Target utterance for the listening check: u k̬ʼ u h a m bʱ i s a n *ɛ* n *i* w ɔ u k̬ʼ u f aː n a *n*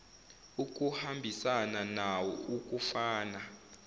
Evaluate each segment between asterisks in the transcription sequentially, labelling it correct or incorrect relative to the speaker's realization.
incorrect, incorrect, incorrect

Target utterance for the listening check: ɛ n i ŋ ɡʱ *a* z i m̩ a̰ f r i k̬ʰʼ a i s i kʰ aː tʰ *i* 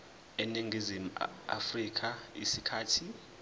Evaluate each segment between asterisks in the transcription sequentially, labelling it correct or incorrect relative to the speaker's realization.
incorrect, correct

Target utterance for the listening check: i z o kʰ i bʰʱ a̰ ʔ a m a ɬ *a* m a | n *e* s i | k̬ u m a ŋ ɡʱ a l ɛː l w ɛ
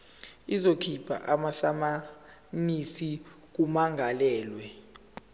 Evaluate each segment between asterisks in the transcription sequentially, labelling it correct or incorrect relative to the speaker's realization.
correct, incorrect

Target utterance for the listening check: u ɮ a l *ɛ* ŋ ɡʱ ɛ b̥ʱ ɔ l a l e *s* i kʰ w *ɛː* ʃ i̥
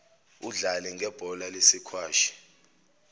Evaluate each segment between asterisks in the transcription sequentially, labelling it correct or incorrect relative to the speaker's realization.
correct, correct, incorrect

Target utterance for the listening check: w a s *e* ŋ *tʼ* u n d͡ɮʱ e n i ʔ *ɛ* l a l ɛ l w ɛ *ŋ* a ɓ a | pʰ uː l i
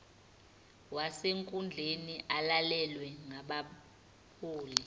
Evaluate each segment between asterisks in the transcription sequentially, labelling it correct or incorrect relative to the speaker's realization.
correct, incorrect, incorrect, correct

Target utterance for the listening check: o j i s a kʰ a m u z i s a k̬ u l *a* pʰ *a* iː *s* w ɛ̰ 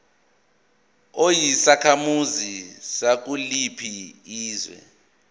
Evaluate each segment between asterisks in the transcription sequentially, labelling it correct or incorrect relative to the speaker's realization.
incorrect, incorrect, incorrect

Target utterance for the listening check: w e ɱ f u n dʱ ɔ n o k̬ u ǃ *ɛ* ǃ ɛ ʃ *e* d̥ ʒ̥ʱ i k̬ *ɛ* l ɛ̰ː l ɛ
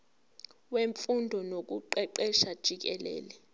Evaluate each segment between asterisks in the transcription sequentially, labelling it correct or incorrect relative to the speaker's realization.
correct, incorrect, correct

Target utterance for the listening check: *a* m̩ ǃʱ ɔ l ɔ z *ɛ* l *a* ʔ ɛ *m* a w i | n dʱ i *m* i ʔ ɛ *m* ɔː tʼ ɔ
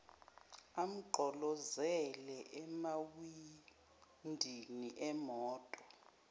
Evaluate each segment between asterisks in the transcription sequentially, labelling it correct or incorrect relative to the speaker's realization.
correct, correct, incorrect, correct, incorrect, correct

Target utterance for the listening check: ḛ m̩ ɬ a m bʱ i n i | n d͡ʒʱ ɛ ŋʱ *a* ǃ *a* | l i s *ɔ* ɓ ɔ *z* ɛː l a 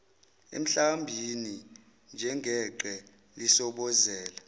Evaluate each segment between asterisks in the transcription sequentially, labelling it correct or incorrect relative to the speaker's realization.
incorrect, incorrect, correct, correct

